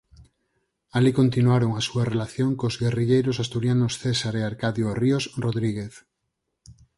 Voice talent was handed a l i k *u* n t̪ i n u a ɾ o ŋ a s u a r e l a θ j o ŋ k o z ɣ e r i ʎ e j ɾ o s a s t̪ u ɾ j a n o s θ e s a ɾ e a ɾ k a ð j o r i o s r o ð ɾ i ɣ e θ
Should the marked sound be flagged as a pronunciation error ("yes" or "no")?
yes